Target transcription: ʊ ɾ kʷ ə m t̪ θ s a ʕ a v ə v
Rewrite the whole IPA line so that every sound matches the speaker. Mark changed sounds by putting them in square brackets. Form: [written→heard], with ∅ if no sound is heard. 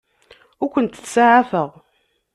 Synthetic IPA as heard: ʊ ɾ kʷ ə [m→n] t̪ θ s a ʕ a [v→f] ə [v→ʁ]